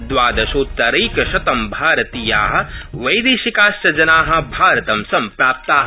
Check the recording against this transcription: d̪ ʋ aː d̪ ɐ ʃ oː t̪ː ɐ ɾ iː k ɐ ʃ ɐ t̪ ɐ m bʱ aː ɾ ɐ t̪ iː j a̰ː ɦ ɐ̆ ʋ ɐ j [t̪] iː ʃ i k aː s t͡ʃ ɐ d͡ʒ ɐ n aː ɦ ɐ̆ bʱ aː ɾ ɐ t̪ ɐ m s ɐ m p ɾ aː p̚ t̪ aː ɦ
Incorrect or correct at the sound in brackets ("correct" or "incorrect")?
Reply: incorrect